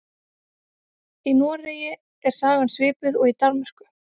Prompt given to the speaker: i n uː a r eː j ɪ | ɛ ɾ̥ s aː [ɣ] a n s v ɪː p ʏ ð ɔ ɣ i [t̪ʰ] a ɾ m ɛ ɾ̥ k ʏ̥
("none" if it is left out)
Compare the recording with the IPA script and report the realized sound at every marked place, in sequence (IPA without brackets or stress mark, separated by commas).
ɣ, t̪